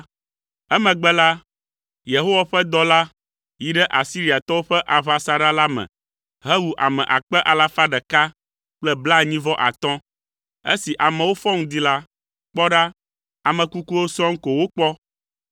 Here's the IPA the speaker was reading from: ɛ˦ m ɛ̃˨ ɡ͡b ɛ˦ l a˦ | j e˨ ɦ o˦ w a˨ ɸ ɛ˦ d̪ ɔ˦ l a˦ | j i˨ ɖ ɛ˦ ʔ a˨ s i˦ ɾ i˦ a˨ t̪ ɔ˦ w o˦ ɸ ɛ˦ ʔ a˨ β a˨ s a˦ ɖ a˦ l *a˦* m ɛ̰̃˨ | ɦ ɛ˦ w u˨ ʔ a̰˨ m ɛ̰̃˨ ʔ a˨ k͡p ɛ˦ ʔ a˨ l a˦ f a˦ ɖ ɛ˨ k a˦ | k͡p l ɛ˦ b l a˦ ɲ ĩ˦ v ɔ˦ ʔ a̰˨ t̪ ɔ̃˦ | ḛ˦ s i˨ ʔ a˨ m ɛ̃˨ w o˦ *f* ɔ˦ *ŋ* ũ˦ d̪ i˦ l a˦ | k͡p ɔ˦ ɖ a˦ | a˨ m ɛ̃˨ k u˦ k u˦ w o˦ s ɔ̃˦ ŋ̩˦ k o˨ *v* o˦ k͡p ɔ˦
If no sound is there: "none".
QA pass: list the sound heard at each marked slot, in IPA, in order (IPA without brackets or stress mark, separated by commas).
a˦, f, ŋ, w